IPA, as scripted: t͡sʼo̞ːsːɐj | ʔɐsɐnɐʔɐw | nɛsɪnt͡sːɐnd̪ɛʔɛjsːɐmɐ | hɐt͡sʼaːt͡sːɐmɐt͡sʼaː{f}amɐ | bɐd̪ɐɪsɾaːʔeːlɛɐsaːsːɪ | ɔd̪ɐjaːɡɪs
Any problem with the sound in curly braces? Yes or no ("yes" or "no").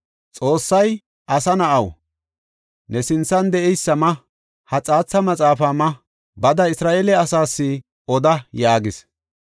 no